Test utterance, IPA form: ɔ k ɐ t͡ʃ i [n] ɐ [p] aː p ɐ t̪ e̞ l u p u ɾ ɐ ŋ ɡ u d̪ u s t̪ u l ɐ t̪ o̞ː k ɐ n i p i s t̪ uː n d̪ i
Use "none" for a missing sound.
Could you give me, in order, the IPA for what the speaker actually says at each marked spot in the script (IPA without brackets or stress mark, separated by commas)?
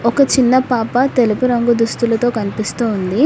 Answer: nː, p